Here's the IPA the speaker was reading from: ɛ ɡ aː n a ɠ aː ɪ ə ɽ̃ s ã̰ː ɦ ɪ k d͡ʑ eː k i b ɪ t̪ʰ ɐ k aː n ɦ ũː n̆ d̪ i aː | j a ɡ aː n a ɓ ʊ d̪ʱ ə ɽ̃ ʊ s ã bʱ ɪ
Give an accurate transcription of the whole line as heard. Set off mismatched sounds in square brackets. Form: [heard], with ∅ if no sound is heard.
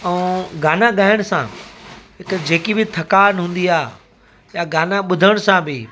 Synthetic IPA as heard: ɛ ɡ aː n a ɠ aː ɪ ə ɽ̃ s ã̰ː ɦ ɪ k d͡ʑ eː k i b ɪ t̪ʰ ɐ k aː n ɦ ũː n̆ d̪ i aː | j a ɡ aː n a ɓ ʊ d̪ʱ ə ɽ̃ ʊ s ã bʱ ɪ